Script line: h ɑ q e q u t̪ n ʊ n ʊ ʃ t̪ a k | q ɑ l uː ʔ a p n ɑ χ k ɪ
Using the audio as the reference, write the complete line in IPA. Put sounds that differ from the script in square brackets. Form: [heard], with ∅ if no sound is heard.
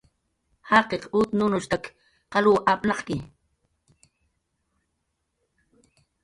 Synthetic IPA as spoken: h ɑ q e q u t̪ n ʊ n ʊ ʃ t̪ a k | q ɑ l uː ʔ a p n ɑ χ k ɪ